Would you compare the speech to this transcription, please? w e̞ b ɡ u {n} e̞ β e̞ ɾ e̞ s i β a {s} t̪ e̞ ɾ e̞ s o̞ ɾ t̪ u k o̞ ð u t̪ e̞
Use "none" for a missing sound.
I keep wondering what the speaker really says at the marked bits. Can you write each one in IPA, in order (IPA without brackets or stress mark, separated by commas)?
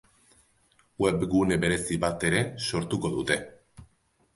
n, none